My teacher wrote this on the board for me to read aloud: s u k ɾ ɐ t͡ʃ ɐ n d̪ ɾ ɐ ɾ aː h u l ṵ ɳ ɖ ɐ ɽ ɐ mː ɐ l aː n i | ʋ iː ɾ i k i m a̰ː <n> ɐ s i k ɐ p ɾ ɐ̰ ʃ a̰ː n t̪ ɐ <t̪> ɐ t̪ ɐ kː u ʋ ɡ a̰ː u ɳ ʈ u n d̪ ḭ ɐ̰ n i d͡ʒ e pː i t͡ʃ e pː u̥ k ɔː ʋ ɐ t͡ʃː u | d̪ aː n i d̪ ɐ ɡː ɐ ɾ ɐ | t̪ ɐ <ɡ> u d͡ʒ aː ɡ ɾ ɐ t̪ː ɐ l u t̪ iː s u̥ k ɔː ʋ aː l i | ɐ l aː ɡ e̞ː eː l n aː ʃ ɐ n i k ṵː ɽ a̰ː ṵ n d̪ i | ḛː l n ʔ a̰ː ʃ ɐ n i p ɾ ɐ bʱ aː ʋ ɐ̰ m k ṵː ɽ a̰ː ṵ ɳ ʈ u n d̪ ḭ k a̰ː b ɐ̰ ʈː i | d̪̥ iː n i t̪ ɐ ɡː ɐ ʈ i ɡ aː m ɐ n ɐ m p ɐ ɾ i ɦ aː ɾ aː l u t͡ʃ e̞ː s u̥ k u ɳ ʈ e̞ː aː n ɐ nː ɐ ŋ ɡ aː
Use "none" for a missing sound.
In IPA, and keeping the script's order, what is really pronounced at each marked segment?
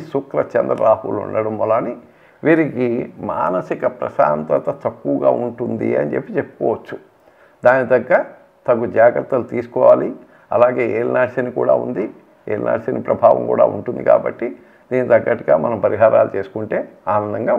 n, t̪, ɡ

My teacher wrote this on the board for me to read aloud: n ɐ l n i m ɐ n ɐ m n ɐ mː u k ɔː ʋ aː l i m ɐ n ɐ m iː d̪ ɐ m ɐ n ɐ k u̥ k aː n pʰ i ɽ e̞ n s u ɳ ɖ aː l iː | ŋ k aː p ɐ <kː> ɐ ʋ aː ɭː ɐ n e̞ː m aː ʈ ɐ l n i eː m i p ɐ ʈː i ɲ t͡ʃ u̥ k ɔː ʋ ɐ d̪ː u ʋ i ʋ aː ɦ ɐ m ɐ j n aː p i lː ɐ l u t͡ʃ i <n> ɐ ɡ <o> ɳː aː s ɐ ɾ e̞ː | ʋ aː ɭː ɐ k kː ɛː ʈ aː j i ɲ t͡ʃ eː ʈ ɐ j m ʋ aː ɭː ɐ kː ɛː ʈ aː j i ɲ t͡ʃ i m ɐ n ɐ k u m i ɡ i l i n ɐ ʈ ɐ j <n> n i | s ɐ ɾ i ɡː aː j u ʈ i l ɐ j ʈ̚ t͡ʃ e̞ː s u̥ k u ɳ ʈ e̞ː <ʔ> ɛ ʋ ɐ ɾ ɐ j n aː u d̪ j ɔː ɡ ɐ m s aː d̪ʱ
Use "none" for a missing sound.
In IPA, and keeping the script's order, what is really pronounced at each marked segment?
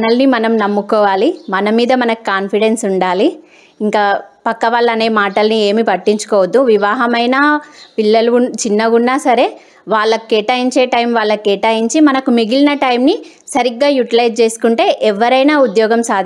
kː, nː, u, m, ʔ

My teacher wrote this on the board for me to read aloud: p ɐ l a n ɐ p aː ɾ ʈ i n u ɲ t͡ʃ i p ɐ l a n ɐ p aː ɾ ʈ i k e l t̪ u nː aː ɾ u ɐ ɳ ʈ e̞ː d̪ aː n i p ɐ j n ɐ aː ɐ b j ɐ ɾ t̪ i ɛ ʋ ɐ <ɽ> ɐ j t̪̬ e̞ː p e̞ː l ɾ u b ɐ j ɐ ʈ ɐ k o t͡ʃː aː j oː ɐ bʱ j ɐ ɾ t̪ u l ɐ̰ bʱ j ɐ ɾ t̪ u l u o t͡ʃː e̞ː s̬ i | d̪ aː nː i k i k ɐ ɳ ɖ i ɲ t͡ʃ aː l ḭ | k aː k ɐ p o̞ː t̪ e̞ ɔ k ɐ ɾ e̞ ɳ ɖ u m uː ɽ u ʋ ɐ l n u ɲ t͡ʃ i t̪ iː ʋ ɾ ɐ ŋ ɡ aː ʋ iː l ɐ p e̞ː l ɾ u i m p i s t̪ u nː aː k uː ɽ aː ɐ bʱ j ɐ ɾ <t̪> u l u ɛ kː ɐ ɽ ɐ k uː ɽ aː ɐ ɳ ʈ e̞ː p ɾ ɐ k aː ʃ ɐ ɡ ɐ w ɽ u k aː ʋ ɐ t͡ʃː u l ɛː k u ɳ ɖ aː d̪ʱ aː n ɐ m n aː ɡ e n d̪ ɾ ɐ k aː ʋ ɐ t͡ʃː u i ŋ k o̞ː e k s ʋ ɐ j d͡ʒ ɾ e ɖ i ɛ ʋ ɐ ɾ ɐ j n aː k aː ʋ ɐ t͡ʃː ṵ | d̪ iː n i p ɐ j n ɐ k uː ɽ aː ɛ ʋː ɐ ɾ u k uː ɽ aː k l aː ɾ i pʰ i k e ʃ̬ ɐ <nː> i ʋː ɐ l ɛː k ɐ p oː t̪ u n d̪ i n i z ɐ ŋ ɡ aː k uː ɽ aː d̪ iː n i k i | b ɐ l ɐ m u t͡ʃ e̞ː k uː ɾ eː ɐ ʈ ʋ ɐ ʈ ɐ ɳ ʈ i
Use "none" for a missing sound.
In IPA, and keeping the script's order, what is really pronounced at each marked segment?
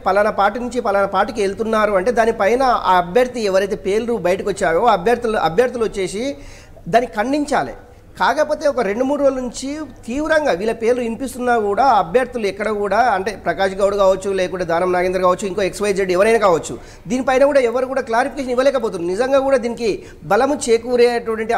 ɾ, t̪, n

